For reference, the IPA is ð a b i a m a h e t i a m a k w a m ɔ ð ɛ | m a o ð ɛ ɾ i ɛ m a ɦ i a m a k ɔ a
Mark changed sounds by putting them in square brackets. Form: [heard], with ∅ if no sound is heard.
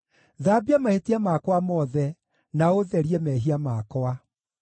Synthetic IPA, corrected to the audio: ð a b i a m a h e t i a m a k w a m ɔ ð ɛ | [n] a o ð ɛ ɾ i ɛ m [ɛ] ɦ i a m a k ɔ a